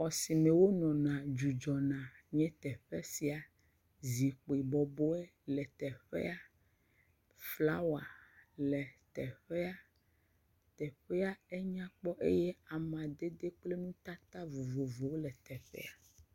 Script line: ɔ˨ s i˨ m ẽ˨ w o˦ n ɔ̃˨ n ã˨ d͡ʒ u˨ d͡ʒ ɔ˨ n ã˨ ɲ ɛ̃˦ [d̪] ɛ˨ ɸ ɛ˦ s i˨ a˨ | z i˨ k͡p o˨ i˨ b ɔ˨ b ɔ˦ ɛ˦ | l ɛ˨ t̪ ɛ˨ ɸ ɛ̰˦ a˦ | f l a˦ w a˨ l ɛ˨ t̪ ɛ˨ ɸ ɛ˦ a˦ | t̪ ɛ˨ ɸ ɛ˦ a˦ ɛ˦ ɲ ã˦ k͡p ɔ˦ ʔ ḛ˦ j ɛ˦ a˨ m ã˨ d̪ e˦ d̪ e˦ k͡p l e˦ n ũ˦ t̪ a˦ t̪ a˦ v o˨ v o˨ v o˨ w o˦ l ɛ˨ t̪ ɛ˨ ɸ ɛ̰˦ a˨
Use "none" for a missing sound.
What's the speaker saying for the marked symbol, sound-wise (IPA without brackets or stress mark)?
t̪